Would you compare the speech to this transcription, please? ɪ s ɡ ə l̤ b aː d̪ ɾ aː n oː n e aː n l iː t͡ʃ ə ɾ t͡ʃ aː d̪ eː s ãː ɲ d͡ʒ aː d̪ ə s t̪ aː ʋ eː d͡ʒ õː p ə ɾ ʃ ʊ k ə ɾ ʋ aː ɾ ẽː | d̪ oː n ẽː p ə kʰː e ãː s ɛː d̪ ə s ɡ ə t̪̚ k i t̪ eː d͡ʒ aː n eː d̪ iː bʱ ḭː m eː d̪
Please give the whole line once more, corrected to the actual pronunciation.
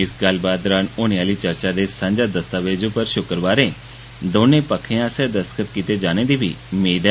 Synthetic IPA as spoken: ɪ s ɡ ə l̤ b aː d̪ ɾ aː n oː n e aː l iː t͡ʃ ə ɾ t͡ʃ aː d̪ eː s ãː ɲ d͡ʒ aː d̪ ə s t̪ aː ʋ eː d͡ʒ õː p ə ɾ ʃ ʊ k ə ɾ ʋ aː ɾ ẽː | d̪ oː n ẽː p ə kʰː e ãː s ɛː d̪ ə s k ə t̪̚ k i t̪ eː d͡ʒ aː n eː d̪ iː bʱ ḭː m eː d̪